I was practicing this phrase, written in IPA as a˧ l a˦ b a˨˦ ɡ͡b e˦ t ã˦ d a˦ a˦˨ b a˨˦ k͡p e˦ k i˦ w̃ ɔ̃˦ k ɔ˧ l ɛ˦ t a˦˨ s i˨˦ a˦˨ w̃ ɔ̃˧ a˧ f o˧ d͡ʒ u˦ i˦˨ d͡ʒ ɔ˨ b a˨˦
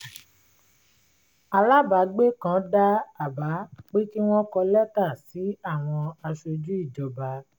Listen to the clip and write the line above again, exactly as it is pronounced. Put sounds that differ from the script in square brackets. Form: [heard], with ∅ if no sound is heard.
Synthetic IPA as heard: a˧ l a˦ b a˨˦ ɡ͡b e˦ [k] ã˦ d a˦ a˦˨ b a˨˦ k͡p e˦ k i˦ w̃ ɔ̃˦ k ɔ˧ l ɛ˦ t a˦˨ s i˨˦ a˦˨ w̃ ɔ̃˧ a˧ [ʃ] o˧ d͡ʒ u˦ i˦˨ d͡ʒ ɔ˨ b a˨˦

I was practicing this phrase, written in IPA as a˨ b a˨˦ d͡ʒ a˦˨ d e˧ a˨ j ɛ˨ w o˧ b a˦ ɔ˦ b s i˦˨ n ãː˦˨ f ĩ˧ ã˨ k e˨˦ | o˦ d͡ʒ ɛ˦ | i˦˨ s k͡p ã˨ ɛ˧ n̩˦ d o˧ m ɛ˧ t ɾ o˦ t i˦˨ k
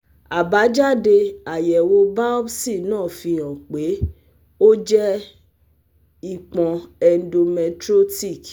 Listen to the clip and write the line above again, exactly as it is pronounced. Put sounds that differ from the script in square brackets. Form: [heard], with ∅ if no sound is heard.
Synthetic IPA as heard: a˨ b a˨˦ d͡ʒ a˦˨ d e˧ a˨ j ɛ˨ w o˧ b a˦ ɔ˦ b s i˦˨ n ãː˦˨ f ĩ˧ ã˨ [k͡p] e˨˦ | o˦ d͡ʒ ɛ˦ | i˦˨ [∅] k͡p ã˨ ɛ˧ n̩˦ d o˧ m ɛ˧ t ɾ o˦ t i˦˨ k

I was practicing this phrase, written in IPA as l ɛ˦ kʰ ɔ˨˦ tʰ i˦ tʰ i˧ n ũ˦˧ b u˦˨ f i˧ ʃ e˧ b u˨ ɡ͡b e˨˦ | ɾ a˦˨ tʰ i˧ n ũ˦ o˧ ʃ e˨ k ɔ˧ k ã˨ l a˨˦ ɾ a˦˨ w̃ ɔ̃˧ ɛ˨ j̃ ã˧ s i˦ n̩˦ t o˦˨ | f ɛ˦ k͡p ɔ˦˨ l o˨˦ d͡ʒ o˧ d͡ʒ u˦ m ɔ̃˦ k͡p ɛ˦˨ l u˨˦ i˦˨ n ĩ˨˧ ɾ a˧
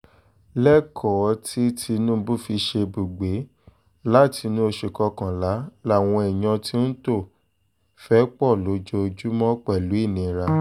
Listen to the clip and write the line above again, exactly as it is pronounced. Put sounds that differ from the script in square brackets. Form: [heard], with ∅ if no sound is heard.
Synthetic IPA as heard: l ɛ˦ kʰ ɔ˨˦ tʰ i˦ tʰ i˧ n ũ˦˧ b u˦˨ f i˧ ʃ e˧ b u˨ ɡ͡b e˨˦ | [l] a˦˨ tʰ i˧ n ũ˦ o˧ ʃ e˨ k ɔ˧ k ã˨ l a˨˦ [l] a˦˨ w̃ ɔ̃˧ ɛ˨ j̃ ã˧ [t] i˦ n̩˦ t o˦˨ | f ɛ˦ k͡p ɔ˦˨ l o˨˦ d͡ʒ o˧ d͡ʒ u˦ m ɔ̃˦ k͡p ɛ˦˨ l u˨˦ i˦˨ n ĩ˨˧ ɾ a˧

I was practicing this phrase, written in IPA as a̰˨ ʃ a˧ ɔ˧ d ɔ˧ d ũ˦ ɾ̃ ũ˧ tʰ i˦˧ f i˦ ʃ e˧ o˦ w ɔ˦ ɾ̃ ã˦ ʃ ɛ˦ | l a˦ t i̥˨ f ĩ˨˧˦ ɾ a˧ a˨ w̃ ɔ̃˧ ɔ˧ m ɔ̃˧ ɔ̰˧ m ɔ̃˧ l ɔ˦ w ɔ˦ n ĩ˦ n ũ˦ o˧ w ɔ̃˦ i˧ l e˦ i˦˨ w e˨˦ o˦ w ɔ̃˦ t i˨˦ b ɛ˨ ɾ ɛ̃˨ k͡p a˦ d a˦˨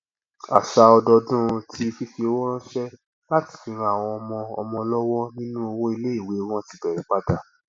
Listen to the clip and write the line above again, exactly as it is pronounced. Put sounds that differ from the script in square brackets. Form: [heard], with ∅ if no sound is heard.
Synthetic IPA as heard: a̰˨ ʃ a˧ ɔ˧ d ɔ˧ d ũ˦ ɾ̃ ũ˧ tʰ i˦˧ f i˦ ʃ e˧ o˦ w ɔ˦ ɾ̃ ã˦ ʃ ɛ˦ | l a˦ t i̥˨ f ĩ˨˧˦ ɾ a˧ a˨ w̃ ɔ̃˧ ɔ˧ m ɔ̃˧ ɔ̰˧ m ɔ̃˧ l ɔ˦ w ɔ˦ n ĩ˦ n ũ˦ o˧ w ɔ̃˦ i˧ l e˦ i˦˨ w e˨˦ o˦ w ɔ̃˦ t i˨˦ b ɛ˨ ɾ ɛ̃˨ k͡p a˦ d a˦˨

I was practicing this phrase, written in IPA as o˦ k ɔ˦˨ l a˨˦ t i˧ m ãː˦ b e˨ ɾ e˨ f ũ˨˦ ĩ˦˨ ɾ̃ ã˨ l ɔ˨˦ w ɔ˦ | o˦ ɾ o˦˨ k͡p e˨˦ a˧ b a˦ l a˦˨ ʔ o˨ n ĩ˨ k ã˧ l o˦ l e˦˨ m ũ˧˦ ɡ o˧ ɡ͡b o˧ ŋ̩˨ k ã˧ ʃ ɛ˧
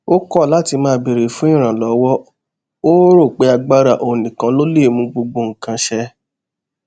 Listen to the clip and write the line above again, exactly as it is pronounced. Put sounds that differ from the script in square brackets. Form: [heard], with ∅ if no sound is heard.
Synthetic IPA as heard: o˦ k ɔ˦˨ l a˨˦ t i˧ m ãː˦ b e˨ ɾ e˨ f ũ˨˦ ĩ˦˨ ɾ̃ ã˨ l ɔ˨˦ w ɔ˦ | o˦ ɾ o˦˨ k͡p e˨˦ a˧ [ɡ͡b] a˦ [ɾ] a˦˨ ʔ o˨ n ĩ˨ k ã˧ l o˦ l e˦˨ m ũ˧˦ [ɡ͡b] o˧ ɡ͡b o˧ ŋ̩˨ k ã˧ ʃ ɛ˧

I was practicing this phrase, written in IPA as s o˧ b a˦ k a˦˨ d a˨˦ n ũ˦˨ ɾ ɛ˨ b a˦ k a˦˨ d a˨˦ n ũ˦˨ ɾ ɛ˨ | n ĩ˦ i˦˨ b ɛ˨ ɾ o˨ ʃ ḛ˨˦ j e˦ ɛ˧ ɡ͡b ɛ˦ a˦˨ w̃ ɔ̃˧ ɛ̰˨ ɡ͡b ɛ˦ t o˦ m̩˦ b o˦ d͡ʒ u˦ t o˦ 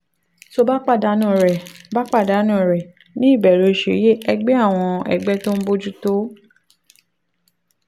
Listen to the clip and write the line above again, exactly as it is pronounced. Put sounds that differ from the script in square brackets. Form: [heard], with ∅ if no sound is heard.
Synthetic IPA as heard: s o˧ b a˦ [k͡p] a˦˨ d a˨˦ n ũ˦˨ ɾ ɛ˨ b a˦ [k͡p] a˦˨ d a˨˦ n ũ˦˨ ɾ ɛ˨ | n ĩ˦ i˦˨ b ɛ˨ ɾ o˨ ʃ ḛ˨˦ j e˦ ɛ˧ ɡ͡b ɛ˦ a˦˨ w̃ ɔ̃˧ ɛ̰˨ ɡ͡b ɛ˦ t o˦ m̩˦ b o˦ d͡ʒ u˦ t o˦

